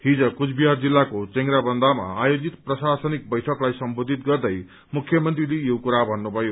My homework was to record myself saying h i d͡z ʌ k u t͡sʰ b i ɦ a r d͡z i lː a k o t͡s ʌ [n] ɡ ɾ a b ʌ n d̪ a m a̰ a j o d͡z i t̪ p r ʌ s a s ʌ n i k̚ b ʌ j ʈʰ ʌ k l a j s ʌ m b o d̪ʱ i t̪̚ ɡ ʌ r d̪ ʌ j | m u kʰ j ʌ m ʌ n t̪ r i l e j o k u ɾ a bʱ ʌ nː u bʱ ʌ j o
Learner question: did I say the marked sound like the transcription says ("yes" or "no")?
no